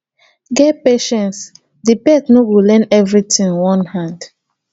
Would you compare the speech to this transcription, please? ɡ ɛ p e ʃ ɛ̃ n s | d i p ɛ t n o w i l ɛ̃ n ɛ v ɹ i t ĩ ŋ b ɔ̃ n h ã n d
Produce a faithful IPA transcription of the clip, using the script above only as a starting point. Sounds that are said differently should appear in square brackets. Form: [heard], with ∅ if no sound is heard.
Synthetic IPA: ɡ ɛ p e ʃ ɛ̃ n s | d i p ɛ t n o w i l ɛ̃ n ɛ v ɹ i t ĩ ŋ [w] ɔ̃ n h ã n d